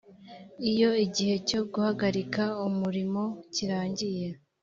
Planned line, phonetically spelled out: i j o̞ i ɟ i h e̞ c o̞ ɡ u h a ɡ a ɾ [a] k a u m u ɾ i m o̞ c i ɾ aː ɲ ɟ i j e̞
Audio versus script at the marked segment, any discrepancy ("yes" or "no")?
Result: yes